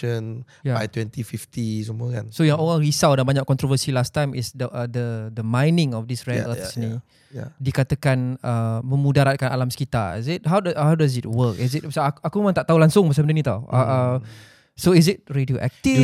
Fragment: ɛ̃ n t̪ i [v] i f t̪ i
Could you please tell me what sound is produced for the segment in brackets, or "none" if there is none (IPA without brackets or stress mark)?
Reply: f